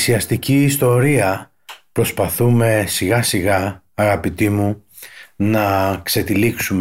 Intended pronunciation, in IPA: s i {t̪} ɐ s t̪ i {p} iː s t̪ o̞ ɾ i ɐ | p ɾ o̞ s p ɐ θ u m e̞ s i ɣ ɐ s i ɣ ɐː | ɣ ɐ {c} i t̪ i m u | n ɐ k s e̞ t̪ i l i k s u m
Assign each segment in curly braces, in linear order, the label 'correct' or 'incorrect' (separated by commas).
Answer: incorrect, incorrect, incorrect